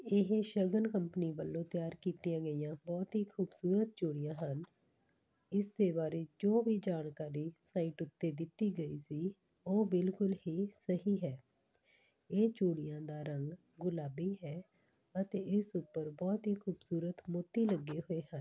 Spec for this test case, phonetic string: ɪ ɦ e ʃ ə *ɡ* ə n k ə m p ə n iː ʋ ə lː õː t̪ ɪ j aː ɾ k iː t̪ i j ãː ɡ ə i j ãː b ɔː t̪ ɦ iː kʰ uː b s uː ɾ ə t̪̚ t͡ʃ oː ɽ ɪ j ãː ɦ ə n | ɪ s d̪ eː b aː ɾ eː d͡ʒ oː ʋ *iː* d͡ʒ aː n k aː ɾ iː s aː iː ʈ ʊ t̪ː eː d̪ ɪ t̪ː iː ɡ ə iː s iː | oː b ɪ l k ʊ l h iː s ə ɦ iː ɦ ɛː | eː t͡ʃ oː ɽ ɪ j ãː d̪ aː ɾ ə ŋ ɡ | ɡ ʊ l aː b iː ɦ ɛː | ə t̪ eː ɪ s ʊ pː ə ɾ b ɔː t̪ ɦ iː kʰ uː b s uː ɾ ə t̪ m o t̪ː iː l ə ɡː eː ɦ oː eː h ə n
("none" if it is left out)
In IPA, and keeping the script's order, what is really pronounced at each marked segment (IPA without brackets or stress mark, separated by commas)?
ɡ, iː